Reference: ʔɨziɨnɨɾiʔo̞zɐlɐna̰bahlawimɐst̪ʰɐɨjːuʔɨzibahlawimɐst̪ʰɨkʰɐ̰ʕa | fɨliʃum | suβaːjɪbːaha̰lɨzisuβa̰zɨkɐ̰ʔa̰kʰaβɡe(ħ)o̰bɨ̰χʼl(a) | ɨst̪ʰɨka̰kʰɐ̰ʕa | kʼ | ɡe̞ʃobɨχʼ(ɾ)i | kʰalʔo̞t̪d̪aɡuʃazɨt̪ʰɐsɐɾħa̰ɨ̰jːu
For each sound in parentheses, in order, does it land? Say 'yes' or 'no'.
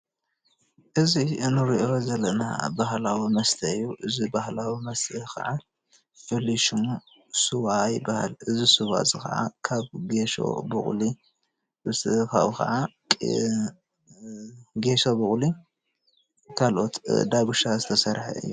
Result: no, no, no

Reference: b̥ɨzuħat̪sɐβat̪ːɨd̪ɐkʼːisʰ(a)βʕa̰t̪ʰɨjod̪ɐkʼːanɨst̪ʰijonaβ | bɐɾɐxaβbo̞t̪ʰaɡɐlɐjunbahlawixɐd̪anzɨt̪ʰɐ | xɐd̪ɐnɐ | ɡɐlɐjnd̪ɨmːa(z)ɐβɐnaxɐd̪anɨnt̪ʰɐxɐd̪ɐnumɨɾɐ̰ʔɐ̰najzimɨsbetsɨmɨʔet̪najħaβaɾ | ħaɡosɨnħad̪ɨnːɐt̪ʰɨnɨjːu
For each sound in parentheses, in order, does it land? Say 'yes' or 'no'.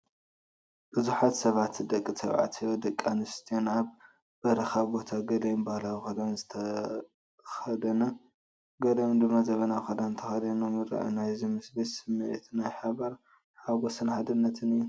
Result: no, yes

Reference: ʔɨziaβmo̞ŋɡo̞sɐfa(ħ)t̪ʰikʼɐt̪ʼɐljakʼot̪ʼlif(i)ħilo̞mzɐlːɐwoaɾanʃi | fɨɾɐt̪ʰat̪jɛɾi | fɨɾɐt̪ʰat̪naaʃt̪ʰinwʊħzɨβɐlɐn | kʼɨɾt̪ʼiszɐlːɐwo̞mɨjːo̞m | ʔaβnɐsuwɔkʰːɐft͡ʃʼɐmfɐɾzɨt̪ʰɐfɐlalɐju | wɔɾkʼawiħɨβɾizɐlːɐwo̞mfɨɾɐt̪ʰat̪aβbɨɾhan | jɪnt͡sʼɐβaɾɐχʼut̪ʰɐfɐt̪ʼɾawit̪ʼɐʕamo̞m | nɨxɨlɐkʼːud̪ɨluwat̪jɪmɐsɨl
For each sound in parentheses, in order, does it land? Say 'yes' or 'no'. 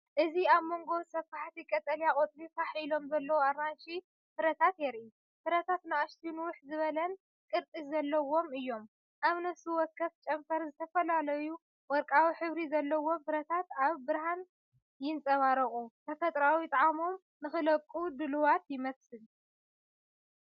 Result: yes, no

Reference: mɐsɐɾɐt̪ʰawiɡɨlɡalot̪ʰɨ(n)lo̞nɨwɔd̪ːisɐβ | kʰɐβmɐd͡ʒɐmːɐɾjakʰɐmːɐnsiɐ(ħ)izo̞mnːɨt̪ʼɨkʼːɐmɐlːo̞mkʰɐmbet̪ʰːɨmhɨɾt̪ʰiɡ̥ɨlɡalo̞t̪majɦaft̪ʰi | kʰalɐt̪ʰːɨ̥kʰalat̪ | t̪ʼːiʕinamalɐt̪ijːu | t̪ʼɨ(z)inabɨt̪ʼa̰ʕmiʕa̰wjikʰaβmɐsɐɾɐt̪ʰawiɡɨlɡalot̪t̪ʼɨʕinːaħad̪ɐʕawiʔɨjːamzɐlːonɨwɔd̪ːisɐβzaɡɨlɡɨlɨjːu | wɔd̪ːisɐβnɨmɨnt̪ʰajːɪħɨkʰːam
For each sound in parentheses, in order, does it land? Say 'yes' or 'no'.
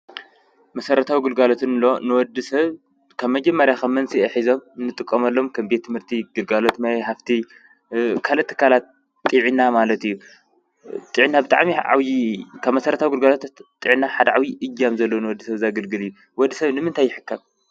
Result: yes, yes, no

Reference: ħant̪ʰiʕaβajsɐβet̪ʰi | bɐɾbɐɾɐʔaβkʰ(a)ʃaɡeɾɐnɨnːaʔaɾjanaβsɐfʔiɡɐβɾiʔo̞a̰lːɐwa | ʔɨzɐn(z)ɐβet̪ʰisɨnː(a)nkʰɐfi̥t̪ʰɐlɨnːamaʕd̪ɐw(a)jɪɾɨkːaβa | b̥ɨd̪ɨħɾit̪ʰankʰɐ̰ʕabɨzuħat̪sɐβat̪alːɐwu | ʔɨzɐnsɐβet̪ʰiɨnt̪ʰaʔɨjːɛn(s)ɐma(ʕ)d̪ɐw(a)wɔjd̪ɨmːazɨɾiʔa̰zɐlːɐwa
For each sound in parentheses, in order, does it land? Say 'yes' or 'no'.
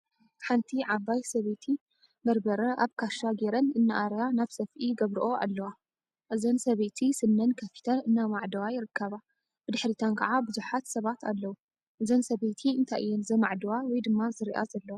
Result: yes, no, no, yes, no, yes, yes

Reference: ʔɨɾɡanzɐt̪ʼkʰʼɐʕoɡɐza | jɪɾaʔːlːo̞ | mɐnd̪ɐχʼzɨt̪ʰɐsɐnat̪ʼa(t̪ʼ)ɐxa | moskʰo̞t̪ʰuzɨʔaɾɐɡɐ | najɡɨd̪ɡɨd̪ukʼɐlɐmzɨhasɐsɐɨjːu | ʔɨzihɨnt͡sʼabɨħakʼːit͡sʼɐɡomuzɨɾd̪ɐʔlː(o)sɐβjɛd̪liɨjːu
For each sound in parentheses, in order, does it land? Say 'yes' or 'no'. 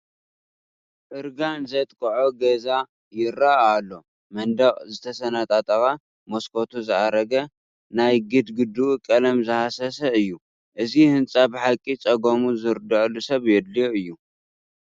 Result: yes, no

